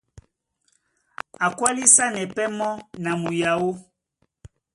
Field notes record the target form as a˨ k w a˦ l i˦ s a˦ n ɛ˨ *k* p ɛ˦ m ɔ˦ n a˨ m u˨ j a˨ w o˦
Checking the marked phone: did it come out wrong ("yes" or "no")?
yes